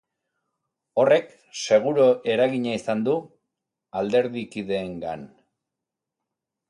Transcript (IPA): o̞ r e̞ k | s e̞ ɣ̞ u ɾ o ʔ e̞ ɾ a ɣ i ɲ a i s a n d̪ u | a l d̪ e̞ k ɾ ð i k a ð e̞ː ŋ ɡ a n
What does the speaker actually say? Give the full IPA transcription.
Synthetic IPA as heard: o̞ r e̞ k | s e̞ ɣ̞ u ɾ o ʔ e̞ ɾ a ɣ i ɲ a i s a n d̪ u | a l d̪ e̞ ɾ ð i k i ð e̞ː ŋ ɡ a n